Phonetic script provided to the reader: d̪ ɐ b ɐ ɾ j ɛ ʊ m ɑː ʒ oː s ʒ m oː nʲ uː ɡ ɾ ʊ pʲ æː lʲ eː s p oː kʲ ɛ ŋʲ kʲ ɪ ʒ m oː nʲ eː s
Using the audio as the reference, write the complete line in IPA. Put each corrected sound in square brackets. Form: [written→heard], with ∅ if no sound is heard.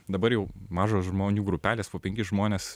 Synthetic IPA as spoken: d̪ ɐ b ɐ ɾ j ɛ ʊ m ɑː ʒ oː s ʒ m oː nʲ uː ɡ ɾ ʊ pʲ æː lʲ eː s p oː [kʲ→pʲ] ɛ ŋʲ kʲ ɪ ʒ m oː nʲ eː s